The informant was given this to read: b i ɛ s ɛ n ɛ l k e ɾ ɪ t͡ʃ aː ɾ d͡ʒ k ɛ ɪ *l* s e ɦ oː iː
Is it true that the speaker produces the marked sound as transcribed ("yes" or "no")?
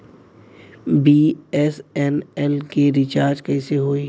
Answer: no